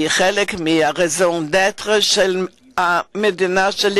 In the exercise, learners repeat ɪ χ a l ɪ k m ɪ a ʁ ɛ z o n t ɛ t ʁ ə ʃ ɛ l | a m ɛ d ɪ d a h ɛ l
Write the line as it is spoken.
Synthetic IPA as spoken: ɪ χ ɛ l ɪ k m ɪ a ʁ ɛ z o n d ɛ t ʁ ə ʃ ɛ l | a m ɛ d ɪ n a ʃ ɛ l